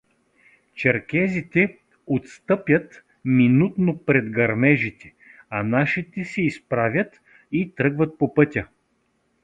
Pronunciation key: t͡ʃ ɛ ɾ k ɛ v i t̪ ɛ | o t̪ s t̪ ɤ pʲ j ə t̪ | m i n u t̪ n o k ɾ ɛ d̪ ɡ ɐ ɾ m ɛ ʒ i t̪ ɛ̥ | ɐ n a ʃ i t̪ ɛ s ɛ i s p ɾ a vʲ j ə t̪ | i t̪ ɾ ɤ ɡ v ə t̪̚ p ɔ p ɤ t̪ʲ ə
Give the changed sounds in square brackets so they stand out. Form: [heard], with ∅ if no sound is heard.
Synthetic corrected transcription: t͡ʃ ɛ ɾ k ɛ [z] i t̪ ɛ | o t̪ s t̪ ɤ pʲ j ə t̪ | m i n u t̪ n o [p] ɾ ɛ d̪ ɡ ɐ ɾ m ɛ ʒ i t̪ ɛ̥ | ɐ n a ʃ i t̪ ɛ s ɛ i s p ɾ a vʲ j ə t̪ | i t̪ ɾ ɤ ɡ v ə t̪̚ p [o] p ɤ t̪ʲ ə